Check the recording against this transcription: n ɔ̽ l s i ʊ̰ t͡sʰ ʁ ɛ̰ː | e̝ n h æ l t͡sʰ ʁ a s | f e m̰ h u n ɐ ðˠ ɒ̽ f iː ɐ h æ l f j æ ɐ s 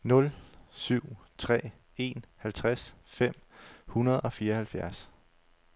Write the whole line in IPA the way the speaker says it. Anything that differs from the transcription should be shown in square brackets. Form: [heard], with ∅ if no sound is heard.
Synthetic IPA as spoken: n ɔ̽ l s [y] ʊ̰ t͡sʰ ʁ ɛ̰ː | e̝ n h æ l t͡sʰ ʁ a s | f e m̰ h u n ɐ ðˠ ɒ̽ f iː ɐ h æ l f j æ ɐ s